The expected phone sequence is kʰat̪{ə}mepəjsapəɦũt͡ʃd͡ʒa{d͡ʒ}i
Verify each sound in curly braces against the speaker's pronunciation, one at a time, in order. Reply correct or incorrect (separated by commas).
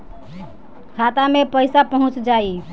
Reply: incorrect, incorrect